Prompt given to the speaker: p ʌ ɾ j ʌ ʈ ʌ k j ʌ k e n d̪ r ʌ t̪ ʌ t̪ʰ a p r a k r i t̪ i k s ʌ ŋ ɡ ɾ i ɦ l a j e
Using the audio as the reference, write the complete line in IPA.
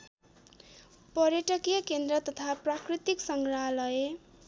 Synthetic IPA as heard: p ʌ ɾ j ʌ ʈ ʌ k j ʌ k e n d̪ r ʌ t̪ ʌ t̪ʰ a p r a k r i t̪ i k s ʌ ŋ ɡ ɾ a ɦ l ʌ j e